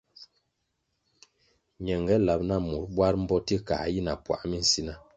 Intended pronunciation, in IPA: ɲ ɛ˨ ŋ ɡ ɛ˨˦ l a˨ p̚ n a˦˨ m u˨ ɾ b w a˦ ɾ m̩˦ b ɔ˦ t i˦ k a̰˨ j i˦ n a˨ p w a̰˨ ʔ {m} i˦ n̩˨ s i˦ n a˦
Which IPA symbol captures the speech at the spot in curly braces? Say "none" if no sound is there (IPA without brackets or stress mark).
m